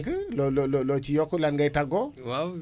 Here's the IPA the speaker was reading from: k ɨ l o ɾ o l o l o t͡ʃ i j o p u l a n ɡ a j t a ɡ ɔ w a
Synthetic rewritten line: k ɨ l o l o l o l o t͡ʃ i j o k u l a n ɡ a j t a ɡ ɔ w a

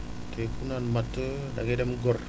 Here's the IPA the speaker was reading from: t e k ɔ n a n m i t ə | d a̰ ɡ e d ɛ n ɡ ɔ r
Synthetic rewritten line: t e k u n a n m a t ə | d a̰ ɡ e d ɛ m ɡ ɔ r

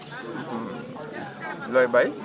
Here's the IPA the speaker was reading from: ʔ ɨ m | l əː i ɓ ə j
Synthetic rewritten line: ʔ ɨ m | l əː j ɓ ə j

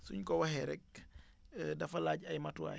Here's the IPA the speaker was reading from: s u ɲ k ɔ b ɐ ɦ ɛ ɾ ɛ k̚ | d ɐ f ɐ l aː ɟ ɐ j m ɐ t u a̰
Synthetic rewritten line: s u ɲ k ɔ w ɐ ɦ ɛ ɾ ɛ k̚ | d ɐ f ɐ l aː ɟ ɐ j m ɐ t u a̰

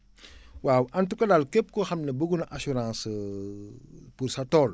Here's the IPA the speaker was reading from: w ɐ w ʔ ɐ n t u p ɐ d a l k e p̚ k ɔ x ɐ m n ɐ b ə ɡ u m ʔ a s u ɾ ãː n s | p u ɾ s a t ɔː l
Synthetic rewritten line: w a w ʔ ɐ n t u k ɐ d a l k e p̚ k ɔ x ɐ m n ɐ b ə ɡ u n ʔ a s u ɾ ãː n s | p u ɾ s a t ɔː l

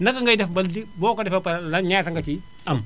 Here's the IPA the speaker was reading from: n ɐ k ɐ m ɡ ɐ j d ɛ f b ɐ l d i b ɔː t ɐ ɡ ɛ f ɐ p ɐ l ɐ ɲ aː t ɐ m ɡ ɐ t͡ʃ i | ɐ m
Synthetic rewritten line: n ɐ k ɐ ŋ ɡ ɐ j d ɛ f b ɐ l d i b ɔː k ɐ d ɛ f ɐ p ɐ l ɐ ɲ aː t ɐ ŋ ɡ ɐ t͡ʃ i | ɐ m

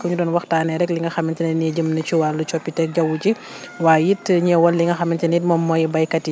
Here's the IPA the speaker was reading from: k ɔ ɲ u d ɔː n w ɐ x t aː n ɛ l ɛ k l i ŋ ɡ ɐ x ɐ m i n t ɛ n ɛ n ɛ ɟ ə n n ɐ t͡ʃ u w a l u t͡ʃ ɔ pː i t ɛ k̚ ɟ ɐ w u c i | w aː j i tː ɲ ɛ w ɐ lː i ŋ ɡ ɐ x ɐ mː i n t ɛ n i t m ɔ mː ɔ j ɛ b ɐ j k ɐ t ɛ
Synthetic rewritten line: k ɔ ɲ u d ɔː n w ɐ x t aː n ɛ ɾ ɛ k l i ŋ ɡ ɐ x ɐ m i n t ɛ n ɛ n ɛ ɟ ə m n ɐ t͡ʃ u w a l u t͡ʃ ɔ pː i t ɛ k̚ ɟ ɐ w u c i | w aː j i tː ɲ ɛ w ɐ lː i ŋ ɡ ɐ x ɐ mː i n t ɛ n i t m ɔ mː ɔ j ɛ b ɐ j k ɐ t i

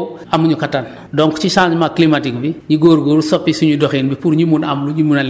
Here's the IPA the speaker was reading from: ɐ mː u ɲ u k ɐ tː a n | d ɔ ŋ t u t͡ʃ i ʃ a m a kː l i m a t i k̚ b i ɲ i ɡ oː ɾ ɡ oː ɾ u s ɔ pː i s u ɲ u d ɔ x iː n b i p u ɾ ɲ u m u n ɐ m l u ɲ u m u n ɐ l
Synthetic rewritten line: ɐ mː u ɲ u k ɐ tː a n | d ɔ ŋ k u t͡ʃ i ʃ a m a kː l i m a t i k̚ b i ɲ i ɡ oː ɾ ɡ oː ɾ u s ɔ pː i s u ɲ u d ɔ x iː n b i p u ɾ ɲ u m u n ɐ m l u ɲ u m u n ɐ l

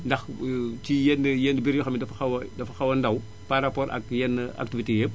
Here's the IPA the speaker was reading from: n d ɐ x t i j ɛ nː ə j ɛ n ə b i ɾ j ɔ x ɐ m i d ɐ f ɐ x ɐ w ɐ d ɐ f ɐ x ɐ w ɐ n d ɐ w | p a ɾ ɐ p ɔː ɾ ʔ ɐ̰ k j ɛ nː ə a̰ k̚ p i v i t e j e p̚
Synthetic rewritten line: n d ɐ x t i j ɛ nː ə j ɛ n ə b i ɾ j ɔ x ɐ m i d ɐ f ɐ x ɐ w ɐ d ɐ f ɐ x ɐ w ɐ n d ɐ w | p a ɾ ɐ p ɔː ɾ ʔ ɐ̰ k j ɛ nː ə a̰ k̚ t i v i t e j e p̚

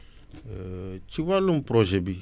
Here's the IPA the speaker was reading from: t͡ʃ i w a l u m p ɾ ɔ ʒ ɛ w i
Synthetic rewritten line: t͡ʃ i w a l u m p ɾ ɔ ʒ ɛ b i

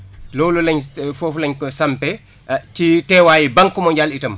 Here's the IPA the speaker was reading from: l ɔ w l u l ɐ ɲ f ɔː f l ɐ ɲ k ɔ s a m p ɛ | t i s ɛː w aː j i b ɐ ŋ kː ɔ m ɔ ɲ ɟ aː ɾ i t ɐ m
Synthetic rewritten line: l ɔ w l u l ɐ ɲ f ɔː f l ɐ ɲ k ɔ s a m p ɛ | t i t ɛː w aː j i b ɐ ŋ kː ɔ m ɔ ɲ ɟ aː l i t ɐ m

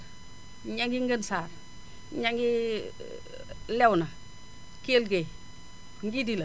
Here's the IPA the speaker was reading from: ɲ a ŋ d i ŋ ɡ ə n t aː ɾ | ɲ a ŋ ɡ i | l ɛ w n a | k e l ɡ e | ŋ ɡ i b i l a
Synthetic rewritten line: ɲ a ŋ ɡ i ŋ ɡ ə n s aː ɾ | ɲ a ŋ ɡ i | l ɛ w n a | k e l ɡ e | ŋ ɡ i d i l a

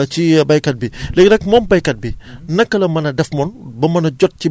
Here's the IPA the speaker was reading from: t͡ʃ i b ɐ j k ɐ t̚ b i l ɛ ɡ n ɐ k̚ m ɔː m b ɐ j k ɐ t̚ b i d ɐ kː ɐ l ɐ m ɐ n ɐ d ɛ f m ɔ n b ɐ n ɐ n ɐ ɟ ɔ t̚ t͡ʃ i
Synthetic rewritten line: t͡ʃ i b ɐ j k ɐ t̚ b i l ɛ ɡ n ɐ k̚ m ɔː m b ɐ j k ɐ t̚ b i n ɐ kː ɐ l ɐ m ɐ n ɐ d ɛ f m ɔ n b ɐ m ɐ n ɐ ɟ ɔ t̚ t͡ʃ i

